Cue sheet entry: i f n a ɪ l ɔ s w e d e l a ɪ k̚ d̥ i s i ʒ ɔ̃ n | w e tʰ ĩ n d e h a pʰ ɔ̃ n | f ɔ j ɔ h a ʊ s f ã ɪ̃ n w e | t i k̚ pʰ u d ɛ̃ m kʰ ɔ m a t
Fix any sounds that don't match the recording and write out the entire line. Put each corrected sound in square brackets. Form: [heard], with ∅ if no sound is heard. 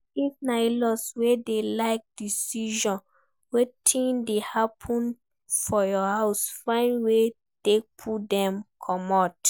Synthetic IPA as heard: i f n a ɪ l ɔ s w e d e l a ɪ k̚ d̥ i s i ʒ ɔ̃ n | w e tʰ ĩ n d e h a pʰ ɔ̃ n | f ɔ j ɔ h a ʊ s f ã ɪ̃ n w e | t [e] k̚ pʰ u d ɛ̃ m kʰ ɔ m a t